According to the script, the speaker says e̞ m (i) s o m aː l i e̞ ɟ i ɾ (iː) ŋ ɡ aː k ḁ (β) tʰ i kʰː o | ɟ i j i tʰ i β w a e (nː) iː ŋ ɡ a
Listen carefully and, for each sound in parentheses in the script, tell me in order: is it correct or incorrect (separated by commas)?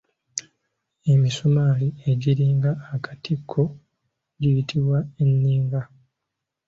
correct, correct, incorrect, correct